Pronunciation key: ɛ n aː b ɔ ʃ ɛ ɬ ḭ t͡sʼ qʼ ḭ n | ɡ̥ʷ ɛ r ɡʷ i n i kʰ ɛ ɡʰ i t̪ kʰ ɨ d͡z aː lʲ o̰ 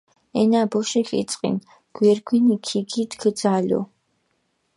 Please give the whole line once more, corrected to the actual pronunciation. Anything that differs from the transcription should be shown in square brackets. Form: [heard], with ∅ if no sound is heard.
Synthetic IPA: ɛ n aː b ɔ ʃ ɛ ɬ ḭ t͡sʼ qʼ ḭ n | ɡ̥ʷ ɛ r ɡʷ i n i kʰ [i] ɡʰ i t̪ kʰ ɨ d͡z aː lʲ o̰